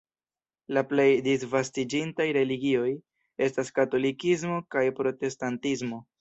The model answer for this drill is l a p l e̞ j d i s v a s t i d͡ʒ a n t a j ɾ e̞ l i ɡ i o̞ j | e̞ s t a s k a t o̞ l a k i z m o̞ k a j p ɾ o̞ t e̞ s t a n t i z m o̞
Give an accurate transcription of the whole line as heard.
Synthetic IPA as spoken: l a p l e̞ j d i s v a s t i d͡ʒ i n t a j ɾ e̞ l i ɡ i o̞ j | e̞ s t a s k a t o̞ l i k i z m o̞ k a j p ɾ o̞ t e̞ s t a n t i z m o̞